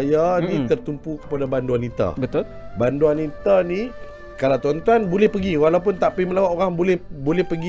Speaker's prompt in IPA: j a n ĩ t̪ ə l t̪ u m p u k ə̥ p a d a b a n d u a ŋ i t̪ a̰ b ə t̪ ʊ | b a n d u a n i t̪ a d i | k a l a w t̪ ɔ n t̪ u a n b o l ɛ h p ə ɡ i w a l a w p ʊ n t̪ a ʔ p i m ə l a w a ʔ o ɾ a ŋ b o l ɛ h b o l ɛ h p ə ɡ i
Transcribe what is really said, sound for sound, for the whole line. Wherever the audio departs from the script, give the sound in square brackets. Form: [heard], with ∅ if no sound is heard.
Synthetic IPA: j a n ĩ t̪ ə [r] t̪ u m p u k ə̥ p a d a b a n d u a [n] i t̪ a̰ b ə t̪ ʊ | b a n d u a n i t̪ a [n] i | k a l a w t̪ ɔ n t̪ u a n b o l ɛ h p ə ɡ i w a l a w p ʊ n t̪ a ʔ p i m ə l a w a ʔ o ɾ a ŋ b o l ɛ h b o l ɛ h p ə ɡ i